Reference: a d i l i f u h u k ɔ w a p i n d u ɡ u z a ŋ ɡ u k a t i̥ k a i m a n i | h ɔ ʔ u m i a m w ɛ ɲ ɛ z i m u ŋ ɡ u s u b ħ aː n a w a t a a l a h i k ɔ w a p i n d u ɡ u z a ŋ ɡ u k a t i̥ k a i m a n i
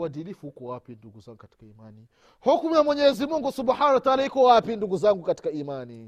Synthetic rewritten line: a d i l i f u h u k ɔ w a p i n d u ɡ u z a ŋ ɡ u k a t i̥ k a i m a n i | h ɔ k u m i a m w ɛ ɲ ɛ z i m u ŋ ɡ u s u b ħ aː n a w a t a a l a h i k ɔ w a p i n d u ɡ u z a ŋ ɡ u k a t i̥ k a i m a n i